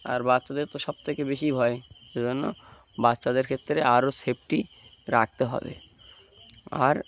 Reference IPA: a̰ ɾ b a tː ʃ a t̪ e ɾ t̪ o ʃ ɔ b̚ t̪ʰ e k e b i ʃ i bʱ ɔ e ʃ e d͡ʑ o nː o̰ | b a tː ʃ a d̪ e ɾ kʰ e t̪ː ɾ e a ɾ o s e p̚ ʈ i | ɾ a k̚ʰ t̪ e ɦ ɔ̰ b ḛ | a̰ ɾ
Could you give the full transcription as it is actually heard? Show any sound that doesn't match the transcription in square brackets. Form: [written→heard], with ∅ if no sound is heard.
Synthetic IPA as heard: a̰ ɾ b a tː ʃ a [t̪→d̪] e ɾ t̪ o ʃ ɔ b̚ t̪ʰ e k e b [i→e] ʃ i bʱ ɔ e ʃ e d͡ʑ o nː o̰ | b a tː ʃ a d̪ e ɾ kʰ e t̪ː ɾ e a ɾ o s e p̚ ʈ i | ɾ a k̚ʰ t̪ e ɦ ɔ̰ b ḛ | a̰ ɾ